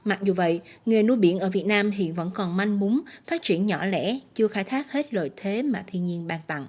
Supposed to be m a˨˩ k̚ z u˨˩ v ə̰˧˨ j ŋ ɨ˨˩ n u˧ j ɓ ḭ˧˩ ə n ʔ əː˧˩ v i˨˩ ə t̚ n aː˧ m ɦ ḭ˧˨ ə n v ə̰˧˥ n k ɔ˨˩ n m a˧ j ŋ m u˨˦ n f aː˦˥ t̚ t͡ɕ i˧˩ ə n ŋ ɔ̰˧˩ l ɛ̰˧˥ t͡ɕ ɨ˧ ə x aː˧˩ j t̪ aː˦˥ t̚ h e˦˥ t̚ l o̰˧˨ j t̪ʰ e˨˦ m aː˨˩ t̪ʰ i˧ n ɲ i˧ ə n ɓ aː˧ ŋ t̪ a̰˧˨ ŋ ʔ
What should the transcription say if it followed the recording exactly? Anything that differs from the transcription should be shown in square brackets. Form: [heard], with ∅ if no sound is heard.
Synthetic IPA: m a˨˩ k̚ z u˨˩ v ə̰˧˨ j ŋ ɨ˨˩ n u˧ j ɓ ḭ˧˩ ə n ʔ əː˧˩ v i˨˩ ə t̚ n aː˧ m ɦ ḭ˧˨ ə n v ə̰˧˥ n k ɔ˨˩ n m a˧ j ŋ m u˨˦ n f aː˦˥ t̚ t͡ɕ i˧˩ ə n [ɲ] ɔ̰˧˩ l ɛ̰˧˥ t͡ɕ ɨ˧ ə x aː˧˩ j [t̪ʰ] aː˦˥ [k̚] h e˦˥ t̚ l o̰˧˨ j t̪ʰ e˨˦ m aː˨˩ t̪ʰ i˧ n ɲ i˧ ə n ɓ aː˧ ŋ t̪ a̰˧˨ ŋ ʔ

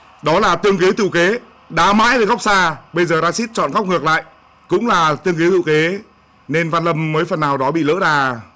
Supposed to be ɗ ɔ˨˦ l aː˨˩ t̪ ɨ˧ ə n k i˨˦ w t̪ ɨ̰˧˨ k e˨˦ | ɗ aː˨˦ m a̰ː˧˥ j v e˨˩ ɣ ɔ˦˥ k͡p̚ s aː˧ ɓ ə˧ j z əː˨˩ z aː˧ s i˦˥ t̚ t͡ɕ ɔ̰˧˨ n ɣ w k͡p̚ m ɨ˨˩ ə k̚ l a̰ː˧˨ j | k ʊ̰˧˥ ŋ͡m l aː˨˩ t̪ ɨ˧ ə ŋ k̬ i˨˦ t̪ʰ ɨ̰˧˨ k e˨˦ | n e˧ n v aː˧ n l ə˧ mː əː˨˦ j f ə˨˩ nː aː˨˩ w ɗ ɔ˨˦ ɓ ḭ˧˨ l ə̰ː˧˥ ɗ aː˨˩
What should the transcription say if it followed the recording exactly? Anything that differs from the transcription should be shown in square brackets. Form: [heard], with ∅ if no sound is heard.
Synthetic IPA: ɗ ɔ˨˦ l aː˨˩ t̪ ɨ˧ ə [ŋ] k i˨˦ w t̪ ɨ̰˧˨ k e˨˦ | ɗ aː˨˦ m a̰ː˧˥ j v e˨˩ ɣ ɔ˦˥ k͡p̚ s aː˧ ɓ ə˧ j z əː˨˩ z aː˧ s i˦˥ t̚ t͡ɕ ɔ̰˧˨ n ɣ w k͡p̚ [ŋ] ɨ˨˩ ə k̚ l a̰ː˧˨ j | k ʊ̰˧˥ ŋ͡m l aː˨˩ t̪ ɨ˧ ə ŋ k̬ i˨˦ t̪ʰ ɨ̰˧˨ k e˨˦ | n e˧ n v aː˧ n l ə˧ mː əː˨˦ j f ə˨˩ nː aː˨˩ w ɗ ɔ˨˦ ɓ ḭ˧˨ l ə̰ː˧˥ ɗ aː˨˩

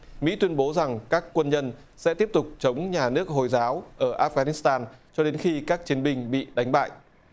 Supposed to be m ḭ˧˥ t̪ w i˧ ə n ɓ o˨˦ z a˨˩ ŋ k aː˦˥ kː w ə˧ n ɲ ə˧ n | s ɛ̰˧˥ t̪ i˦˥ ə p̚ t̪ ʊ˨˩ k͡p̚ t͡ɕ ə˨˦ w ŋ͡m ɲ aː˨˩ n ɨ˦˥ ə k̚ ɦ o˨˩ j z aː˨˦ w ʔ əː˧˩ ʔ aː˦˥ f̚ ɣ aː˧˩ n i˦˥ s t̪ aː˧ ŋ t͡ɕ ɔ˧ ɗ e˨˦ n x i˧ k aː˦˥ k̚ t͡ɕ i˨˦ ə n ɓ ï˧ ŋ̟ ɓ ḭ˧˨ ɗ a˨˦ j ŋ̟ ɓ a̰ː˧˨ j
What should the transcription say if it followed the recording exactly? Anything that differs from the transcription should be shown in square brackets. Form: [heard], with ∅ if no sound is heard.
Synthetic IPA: m ḭ˧˥ t̪ w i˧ ə n ɓ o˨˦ z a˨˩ ŋ k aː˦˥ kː w ə˧ n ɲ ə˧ n | s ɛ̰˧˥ t̪ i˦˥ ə p̚ t̪ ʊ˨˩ k͡p̚ t͡ɕ ə˨˦ w ŋ͡m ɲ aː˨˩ n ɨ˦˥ ə k̚ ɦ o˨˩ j z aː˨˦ w ʔ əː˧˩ ʔ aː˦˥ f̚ ɣ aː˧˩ n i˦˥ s t̪ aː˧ [n] t͡ɕ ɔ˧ ɗ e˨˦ n x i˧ k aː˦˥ k̚ t͡ɕ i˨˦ ə n ɓ ï˧ ŋ̟ ɓ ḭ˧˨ ɗ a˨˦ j ŋ̟ ɓ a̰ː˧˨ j

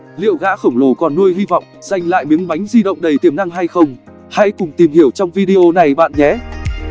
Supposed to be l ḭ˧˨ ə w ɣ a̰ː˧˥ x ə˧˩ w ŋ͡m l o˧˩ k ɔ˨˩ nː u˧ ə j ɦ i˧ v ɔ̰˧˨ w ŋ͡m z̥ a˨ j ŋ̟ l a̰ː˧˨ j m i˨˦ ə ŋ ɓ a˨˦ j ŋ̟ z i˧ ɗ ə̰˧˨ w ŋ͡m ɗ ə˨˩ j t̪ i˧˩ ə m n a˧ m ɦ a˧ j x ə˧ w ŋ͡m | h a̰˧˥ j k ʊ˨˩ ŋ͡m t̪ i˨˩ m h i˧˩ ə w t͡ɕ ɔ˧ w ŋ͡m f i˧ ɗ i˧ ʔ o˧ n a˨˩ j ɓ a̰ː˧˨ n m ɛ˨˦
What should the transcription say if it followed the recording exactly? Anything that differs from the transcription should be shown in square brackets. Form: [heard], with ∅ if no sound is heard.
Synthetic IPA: l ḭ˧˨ ə w ɣ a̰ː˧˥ x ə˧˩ w ŋ͡m l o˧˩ k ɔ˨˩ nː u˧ ə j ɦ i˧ v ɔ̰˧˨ w ŋ͡m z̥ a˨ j ŋ̟ l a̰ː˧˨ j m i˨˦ ə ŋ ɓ a˨˦ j ŋ̟ z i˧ ɗ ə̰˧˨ w ŋ͡m ɗ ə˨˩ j t̪ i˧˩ ə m n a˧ [ŋ] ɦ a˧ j x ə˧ w ŋ͡m | h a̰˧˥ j k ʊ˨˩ ŋ͡m t̪ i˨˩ m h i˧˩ ə w t͡ɕ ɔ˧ w ŋ͡m [v] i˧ ɗ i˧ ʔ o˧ n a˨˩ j ɓ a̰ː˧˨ n [ɲ] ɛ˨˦

